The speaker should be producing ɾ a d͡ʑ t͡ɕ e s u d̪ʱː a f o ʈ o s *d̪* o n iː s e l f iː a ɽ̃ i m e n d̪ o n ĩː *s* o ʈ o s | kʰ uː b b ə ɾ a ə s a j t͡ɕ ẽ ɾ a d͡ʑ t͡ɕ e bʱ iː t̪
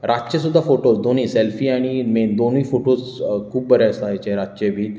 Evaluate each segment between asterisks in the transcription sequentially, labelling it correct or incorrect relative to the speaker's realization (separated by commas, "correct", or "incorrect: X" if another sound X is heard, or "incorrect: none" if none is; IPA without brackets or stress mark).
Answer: correct, incorrect: f